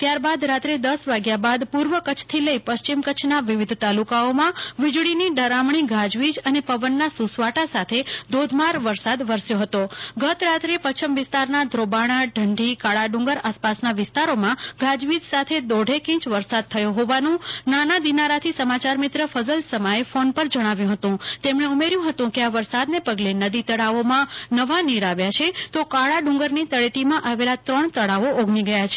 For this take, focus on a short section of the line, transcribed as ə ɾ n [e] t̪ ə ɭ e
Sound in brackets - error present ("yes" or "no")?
yes